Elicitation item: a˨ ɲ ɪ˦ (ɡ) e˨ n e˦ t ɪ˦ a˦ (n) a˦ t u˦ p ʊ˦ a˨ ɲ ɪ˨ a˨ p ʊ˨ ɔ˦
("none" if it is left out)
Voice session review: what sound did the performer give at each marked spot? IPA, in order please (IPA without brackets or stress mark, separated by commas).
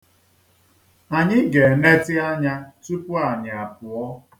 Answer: ɡ, ɲ